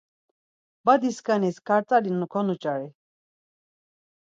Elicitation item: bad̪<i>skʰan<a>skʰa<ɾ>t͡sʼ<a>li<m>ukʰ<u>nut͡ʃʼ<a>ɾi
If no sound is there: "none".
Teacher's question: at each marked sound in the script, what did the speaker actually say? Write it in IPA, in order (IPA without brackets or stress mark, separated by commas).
i, i, ɾ, a, n, ɔ, a